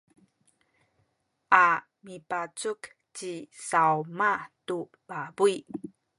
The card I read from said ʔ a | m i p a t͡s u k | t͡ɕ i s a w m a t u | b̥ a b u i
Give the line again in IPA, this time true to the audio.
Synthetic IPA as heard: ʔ a | m i p a t͡s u k | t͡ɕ i s a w m a t u | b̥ a b u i